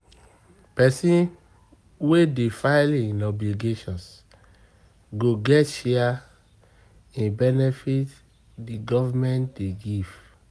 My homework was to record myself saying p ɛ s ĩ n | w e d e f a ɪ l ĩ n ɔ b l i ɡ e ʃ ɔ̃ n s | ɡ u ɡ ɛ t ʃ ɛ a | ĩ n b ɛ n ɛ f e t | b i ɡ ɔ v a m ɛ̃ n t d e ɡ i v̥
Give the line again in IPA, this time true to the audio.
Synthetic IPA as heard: p ɛ s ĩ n | w e d e f a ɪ l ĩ n ɔ b l i ɡ e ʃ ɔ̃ n s | ɡ o ɡ ɛ t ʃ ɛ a | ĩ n b ɛ n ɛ f i t | d i ɡ ɔ v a m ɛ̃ n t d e ɡ i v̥